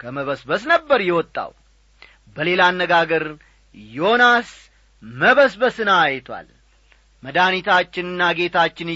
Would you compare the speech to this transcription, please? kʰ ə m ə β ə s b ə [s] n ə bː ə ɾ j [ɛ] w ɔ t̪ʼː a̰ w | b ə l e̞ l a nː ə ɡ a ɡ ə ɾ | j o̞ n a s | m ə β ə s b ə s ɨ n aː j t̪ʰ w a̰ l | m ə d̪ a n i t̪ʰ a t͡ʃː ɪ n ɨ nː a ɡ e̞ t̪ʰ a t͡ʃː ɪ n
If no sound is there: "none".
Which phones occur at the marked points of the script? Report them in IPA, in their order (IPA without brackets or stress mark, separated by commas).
s, ɛ